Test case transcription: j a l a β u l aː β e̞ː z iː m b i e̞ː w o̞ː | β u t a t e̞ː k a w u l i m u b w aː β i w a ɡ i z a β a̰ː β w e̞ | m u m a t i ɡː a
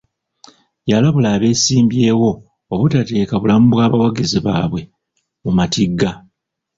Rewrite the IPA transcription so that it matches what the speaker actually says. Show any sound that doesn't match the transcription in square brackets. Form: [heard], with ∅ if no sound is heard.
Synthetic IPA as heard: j a l a β u l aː β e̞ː [s] iː m b [j] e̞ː w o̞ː | β u t a t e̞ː k a [β] u l [a] m u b w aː β [a] w a ɡ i z [i] β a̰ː β w e̞ | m u m a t i ɡː a